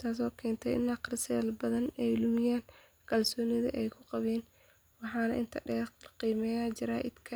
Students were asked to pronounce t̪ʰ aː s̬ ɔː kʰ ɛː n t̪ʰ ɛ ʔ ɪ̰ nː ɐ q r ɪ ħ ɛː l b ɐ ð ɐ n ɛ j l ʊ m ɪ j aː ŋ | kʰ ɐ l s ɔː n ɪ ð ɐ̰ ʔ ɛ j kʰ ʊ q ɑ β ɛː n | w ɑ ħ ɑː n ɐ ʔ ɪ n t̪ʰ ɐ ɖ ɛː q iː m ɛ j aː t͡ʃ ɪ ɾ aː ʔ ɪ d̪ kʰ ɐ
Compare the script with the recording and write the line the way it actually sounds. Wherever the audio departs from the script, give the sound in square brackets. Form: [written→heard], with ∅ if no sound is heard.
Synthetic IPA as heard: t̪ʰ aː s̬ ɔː kʰ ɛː n t̪ʰ ɛ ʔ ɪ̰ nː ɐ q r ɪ [ħ→s] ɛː l b ɐ ð ɐ n ɛ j l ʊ m ɪ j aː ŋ | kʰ ɐ l s ɔː n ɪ ð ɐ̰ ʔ ɛ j kʰ ʊ q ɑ β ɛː n | w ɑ ħ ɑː n ɐ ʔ ɪ n t̪ʰ ɐ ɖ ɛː q iː m ɛ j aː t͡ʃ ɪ ɾ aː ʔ ɪ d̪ kʰ ɐ